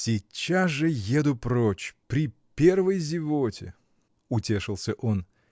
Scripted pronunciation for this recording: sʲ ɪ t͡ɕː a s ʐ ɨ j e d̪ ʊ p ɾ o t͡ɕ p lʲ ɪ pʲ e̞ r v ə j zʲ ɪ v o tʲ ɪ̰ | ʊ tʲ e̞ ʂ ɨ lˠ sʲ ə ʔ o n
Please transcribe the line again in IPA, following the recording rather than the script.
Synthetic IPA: sʲ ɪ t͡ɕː a s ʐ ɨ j e d̪ ʊ p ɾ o t͡ɕ p ɾʲ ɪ pʲ e̞ r v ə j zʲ ɪ v o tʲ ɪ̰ | ʊ tʲ e̞ ʂ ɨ lˠ sʲ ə ʔ o n